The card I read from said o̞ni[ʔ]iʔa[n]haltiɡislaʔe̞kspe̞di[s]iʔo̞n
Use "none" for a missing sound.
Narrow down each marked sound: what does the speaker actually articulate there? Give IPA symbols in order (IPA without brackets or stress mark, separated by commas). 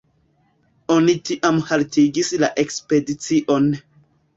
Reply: t, m, t͡s